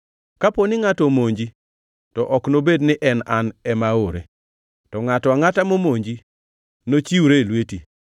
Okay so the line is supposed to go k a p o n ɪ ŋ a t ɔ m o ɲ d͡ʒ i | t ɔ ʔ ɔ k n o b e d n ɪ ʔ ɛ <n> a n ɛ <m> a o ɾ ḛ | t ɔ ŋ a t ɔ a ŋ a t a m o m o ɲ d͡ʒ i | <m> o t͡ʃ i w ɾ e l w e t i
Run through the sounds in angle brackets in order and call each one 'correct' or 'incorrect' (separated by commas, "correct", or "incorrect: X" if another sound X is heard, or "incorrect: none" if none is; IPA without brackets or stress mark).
correct, correct, incorrect: n